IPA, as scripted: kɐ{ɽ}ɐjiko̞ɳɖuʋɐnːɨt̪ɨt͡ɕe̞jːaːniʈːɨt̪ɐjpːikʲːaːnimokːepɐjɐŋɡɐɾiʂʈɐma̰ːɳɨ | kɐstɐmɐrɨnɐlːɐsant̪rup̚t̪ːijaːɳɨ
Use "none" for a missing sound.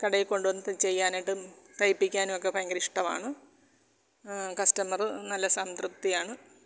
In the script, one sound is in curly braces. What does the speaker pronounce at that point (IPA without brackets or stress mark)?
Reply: ɽ